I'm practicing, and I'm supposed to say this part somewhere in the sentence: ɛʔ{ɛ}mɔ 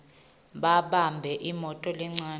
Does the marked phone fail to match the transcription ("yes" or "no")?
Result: yes